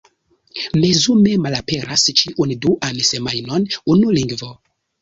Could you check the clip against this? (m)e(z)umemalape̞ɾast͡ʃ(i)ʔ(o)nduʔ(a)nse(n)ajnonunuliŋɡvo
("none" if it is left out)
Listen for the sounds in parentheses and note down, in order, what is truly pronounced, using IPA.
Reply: m, z, i, u, a, m

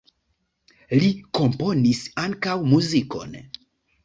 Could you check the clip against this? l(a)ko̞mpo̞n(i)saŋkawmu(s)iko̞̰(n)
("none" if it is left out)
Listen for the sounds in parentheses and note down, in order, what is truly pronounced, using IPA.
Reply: i, i, z, n

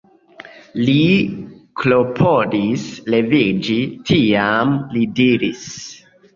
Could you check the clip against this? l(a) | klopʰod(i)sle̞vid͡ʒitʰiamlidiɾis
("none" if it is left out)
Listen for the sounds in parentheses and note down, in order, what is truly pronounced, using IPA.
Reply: i, i

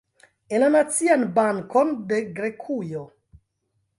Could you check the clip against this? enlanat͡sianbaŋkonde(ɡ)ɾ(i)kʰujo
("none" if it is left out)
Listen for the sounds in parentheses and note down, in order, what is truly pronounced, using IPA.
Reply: ɡ, e

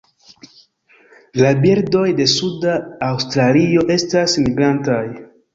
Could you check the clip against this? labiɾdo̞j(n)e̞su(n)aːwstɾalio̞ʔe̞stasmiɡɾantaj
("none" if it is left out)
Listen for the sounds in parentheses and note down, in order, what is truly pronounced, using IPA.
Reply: d, d

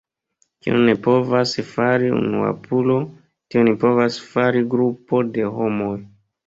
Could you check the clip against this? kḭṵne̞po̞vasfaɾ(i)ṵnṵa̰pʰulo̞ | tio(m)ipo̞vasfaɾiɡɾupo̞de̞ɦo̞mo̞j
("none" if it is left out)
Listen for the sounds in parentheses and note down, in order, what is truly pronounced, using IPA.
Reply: i, n

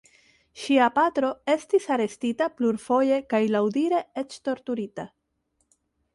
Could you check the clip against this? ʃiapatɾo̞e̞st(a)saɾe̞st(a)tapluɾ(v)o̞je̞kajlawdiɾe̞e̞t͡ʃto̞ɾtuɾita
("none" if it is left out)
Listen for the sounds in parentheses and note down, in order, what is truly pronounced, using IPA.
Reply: i, i, f

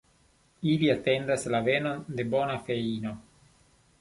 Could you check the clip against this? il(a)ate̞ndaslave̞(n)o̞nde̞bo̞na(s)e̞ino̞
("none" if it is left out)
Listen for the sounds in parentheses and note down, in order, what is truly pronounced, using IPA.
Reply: i, n, f

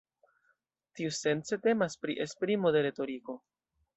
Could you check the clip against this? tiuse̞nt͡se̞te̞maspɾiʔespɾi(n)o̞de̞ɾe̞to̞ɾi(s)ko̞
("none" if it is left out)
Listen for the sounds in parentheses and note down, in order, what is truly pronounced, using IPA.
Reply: m, none

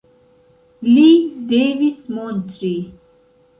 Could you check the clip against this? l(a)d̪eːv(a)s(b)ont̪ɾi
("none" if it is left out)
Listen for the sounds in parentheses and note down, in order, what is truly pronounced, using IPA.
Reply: i, i, m

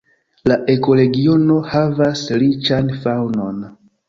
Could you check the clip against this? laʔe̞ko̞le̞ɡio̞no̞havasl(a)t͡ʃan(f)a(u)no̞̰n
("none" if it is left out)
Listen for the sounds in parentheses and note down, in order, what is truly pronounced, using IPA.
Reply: i, f, w

